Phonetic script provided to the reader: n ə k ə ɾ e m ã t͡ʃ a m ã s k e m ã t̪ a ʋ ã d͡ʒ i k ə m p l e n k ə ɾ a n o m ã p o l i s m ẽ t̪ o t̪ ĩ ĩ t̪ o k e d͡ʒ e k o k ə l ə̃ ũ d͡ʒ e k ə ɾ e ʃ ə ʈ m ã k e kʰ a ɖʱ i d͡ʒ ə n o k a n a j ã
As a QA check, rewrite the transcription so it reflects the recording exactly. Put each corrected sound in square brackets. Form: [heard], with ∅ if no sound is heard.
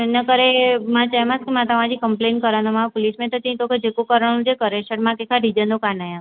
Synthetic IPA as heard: n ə k ə ɾ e m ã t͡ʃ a m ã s k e m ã t̪ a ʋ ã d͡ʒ i k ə m p l e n k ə ɾ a n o m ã p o l i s m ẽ t̪ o t̪ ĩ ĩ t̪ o k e d͡ʒ e k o k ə [ɾ] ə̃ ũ d͡ʒ e k ə ɾ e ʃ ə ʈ m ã k e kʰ a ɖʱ i d͡ʒ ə n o k a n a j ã